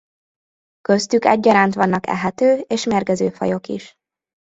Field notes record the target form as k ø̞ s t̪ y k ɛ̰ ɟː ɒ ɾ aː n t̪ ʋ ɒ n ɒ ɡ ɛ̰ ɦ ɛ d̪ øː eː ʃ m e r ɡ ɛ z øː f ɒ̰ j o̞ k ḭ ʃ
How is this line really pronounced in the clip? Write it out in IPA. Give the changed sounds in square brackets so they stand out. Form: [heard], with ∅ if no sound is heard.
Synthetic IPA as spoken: k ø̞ s t̪ y k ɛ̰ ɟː ɒ ɾ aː n t̪ ʋ ɒ [nː] ɒ [k] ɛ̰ ɦ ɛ [t̪] øː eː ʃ m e r ɡ ɛ z øː f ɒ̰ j o̞ k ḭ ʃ